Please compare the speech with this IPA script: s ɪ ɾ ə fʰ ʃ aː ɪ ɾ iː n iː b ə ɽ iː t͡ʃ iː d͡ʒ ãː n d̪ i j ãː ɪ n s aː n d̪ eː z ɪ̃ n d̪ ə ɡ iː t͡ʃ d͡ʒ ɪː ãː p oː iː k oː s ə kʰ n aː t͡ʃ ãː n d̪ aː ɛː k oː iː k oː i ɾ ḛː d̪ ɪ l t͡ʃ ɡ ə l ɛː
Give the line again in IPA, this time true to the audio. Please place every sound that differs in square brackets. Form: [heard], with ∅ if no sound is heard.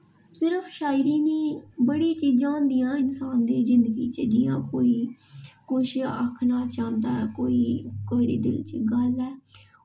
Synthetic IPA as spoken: s ɪ ɾ ə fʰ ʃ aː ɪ ɾ iː n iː b ə ɽ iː t͡ʃ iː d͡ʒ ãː n d̪ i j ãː ɪ n s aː n d̪ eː z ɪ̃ n d̪ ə ɡ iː t͡ʃ d͡ʒ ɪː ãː [k] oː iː k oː [ʃ] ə kʰ n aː t͡ʃ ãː n d̪ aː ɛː k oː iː k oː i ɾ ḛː d̪ ɪ l t͡ʃ ɡ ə l ɛː